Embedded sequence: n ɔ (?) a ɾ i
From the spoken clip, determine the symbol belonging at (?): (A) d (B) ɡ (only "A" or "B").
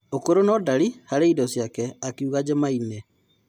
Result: A